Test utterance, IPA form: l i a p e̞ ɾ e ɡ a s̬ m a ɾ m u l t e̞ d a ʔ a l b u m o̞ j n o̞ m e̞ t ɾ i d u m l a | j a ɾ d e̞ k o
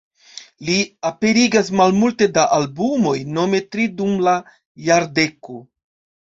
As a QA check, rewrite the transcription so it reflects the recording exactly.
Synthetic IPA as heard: l i a p e̞ ɾ i ɡ a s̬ m a l m u l t e̞ d a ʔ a l b u m o̞ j n o̞ m e̞ t ɾ i d u m l a | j a ɾ d e̞ k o